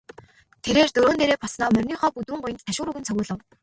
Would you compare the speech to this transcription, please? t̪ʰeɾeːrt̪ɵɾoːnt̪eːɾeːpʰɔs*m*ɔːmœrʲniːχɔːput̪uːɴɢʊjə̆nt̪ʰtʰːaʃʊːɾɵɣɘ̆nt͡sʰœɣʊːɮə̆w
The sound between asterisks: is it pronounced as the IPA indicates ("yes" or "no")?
no